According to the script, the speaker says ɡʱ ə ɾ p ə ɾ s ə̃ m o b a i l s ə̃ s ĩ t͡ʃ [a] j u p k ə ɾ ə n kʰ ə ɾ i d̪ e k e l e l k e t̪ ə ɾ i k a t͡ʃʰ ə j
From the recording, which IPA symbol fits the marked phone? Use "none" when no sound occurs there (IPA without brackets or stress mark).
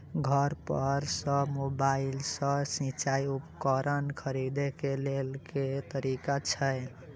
a